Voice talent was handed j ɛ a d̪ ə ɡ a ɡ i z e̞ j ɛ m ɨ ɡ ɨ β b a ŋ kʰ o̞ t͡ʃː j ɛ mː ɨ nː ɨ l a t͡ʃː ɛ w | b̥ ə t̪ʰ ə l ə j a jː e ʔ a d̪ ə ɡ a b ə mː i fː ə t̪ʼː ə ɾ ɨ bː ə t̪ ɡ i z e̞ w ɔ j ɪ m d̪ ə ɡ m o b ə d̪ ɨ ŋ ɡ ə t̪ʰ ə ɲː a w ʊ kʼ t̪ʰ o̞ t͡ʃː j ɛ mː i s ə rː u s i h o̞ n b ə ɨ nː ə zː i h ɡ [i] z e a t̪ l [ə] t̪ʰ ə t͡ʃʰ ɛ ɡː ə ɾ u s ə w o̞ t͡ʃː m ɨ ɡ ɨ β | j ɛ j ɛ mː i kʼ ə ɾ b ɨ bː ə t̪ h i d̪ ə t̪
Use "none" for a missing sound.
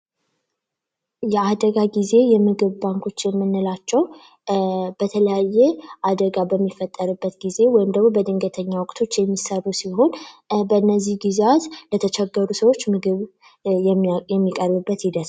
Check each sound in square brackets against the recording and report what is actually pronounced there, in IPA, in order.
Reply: i, ə

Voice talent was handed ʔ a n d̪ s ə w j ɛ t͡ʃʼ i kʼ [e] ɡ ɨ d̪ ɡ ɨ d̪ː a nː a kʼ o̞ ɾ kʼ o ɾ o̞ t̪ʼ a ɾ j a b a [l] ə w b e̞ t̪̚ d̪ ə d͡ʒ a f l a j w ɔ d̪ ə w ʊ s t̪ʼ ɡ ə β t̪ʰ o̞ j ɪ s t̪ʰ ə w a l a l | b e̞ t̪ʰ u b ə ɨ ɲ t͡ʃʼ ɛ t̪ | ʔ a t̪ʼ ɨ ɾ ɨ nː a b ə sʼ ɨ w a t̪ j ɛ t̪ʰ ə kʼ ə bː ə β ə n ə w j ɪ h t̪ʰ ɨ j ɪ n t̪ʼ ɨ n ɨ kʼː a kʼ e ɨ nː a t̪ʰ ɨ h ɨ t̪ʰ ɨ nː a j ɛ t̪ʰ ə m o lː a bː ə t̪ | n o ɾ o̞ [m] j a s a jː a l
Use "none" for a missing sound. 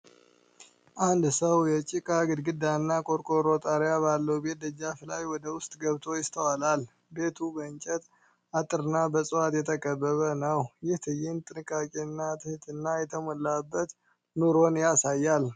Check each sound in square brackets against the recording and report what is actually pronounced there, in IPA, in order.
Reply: a, lː, n

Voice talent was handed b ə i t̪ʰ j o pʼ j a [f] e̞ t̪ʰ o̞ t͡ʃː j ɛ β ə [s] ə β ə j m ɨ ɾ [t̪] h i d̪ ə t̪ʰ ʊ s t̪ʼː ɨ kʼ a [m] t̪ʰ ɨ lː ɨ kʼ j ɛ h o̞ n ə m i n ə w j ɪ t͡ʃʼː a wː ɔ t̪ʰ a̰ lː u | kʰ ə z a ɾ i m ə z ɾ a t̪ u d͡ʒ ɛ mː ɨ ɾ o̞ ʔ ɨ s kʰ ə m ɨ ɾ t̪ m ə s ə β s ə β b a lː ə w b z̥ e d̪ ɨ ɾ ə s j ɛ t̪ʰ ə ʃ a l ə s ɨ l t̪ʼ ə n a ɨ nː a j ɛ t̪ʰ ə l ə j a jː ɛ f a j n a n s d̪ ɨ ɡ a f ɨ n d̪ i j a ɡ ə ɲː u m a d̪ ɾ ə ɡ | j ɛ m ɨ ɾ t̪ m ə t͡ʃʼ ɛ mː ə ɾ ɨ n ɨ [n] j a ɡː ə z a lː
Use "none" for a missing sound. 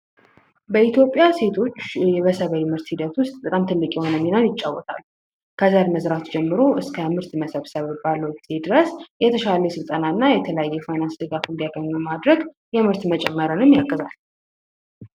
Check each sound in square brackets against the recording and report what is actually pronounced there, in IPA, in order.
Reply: s, s, t̪, m, m

